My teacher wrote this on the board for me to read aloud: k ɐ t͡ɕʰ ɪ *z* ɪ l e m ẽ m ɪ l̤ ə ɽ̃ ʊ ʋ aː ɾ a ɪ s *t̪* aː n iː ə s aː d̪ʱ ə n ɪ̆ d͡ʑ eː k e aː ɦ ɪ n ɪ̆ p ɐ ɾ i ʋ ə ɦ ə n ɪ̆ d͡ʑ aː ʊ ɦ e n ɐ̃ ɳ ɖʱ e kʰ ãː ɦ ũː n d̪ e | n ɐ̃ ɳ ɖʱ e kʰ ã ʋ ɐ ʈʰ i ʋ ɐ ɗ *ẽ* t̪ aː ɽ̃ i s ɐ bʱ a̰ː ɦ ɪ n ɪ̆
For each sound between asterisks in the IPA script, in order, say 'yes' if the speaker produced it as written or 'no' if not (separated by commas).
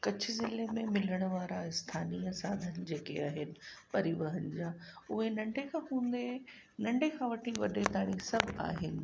yes, no, no